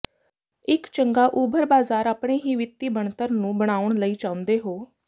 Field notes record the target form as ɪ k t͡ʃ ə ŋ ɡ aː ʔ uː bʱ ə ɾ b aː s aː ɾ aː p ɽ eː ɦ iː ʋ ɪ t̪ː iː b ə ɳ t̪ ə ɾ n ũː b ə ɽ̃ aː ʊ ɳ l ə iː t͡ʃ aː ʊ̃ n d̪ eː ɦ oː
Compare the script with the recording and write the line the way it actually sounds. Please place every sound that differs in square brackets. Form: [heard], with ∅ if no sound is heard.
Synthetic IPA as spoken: ɪ k t͡ʃ ə ŋ ɡ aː ʔ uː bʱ ə ɾ b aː [z] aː ɾ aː p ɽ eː ɦ iː ʋ ɪ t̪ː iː b ə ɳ t̪ ə ɾ n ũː b ə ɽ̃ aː ʊ ɳ l ə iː t͡ʃ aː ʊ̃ n d̪ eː ɦ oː